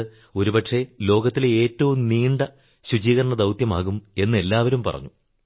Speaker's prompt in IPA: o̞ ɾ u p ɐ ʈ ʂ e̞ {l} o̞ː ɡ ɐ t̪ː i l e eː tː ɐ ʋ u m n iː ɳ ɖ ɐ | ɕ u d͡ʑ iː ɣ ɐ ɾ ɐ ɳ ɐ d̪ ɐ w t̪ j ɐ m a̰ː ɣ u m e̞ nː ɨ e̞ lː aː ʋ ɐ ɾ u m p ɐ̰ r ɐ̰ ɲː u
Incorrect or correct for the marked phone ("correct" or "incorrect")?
correct